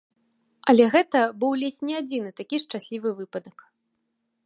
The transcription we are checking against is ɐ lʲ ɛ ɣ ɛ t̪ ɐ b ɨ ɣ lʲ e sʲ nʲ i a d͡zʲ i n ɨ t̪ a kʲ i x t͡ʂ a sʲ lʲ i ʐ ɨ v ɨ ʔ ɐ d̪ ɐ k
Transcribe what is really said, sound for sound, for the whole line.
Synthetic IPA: ɐ lʲ ɛ ɣ ɛ t̪ ɐ b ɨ w lʲ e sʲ nʲ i a d͡zʲ i n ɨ t̪ a kʲ i ʂ t͡ʂ a sʲ lʲ i v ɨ v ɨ p ɐ d̪ ɐ k